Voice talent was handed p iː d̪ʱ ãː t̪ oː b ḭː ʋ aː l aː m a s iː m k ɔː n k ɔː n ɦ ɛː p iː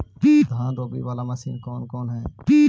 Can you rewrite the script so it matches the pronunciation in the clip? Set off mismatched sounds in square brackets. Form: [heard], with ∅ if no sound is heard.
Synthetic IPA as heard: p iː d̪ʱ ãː [d̪] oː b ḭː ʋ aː l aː m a s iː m k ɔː n k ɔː n ɦ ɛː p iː

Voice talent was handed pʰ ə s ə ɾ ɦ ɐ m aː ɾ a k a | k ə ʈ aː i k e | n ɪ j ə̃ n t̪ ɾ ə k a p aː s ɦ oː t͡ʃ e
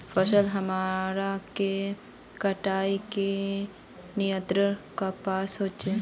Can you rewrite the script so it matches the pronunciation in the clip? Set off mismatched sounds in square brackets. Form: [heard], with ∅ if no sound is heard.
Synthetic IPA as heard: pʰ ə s ə [l] ɦ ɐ m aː ɾ a k [e] | k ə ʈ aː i k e | n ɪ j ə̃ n t̪ ɾ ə k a p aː s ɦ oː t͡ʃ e

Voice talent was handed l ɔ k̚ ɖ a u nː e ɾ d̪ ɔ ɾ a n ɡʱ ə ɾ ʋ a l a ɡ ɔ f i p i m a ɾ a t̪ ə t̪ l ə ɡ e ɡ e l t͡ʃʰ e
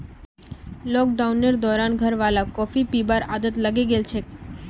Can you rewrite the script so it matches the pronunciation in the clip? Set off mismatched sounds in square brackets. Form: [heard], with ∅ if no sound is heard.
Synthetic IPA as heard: l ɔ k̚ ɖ a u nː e ɾ d̪ ɔ ɾ a n ɡʱ ə ɾ ʋ a l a [k] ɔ f i p i [b] a ɾ a [d̪] ə t̪ l ə ɡ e ɡ e l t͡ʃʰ e

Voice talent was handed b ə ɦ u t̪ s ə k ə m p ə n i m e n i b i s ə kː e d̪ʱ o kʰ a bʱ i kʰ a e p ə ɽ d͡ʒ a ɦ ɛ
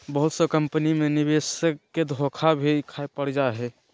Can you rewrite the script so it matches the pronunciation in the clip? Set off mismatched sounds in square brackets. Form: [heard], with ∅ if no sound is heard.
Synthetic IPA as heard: b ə ɦ u t̪ s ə k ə m p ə n i m e n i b [e] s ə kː e d̪ʱ o kʰ a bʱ i kʰ a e p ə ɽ d͡ʒ a ɦ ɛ

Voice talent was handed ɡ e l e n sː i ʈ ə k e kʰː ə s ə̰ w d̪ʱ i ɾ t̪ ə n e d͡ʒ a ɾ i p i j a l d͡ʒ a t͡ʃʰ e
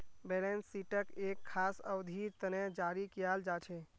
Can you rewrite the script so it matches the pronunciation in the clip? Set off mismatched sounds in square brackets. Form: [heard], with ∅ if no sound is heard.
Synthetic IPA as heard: [b] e l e n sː i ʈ ə k e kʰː [a] s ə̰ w d̪ʱ i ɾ t̪ ə n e d͡ʒ a ɾ i [k] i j a l d͡ʒ a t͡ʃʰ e

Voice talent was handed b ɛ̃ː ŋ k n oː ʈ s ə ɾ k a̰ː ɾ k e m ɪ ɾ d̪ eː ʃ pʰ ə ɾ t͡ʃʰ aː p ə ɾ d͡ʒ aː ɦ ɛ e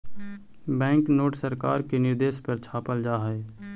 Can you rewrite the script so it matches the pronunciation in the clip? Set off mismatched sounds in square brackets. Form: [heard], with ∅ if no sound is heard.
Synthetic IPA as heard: b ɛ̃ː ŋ k n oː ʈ s ə ɾ k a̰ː ɾ k e [n] ɪ ɾ d̪ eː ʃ [p] ə ɾ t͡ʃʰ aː p ə [l] d͡ʒ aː ɦ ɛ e

